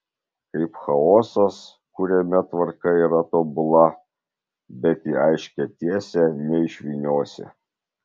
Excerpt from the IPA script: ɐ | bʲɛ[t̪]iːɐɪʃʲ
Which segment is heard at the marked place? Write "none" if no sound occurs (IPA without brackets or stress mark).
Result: t̪